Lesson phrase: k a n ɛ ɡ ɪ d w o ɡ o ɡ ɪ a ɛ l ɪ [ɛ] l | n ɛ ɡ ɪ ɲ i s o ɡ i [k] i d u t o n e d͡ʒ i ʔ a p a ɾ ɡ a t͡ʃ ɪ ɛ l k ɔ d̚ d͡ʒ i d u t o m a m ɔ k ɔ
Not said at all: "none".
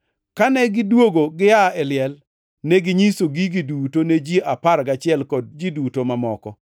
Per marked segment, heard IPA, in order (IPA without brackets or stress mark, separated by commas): ɛ, ɡ